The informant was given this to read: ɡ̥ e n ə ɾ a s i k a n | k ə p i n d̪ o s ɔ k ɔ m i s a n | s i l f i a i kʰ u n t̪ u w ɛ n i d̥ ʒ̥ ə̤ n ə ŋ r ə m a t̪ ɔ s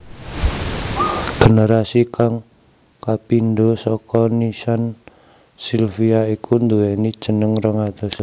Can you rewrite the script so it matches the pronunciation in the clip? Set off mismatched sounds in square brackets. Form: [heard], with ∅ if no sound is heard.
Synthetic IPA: ɡ̥ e n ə ɾ a s i k a [ŋ] | k [a] p i n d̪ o s ɔ k ɔ [n] i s a n | s i l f i a i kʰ u n [d̪] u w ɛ n i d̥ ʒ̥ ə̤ n ə ŋ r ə [ŋ] a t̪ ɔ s